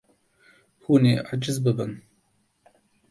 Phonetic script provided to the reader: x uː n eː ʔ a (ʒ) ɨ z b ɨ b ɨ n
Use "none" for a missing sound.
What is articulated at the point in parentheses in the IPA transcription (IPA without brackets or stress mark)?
d͡ʒ